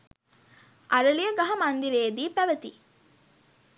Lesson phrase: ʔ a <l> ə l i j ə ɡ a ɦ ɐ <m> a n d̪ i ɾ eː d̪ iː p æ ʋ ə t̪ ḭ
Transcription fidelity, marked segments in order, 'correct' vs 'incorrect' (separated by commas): incorrect, correct